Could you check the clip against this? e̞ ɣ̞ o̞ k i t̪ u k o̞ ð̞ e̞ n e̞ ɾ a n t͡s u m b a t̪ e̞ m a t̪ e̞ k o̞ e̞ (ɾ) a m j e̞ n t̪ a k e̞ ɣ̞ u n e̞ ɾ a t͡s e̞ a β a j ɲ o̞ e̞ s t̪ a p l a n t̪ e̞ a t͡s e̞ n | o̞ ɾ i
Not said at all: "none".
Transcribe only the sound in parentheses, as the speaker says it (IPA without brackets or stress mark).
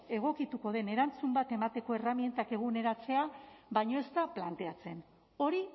r